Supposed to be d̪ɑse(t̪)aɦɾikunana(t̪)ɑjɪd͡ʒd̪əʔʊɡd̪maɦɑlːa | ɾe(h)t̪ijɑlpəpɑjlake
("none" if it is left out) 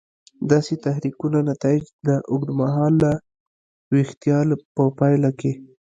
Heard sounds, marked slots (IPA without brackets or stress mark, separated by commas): t̪, t̪, x